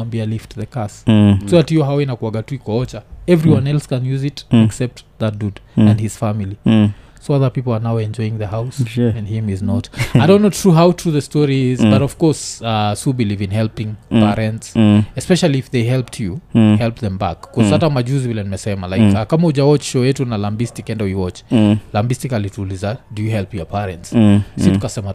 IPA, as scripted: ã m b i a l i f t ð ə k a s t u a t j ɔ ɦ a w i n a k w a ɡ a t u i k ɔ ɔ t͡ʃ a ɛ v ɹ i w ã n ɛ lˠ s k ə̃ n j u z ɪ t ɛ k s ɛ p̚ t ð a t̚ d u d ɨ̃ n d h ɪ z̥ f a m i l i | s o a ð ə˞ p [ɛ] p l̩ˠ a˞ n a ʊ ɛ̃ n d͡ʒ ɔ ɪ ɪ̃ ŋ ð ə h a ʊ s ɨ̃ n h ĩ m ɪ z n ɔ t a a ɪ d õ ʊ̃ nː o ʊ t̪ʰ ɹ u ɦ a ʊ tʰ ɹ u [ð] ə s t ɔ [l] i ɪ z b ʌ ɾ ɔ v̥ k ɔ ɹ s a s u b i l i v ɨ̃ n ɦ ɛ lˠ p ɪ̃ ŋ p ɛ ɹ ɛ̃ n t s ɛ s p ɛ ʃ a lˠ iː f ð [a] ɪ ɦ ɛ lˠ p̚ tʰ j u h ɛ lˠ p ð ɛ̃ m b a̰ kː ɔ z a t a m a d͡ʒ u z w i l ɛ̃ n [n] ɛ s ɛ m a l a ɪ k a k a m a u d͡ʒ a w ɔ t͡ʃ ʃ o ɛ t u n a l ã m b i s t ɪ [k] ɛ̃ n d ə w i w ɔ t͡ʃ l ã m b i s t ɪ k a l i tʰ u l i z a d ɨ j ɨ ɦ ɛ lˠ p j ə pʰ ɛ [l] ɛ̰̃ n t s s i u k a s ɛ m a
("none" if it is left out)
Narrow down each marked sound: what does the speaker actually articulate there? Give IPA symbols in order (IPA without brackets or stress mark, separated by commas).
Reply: i, ð, ɹ, e, m, k, ɹ